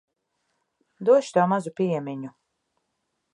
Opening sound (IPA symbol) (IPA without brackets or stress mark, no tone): d̪